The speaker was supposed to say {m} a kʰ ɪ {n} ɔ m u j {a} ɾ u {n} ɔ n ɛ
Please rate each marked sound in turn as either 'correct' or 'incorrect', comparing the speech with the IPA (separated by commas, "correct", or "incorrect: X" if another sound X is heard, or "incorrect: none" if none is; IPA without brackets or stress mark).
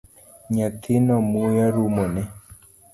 incorrect: ɲ, correct, correct, incorrect: m